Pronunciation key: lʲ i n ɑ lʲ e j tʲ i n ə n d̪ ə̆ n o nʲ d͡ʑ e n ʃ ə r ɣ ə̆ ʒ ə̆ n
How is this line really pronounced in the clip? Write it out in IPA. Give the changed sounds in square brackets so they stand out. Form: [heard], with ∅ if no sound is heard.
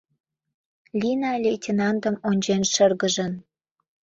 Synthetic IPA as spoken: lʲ i n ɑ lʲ e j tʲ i n [ɑ] n d̪ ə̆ [m] o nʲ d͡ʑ e n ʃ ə r ɣ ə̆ ʒ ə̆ n